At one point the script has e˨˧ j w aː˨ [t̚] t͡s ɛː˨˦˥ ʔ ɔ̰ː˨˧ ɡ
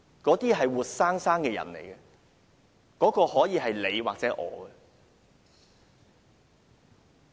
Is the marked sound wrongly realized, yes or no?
yes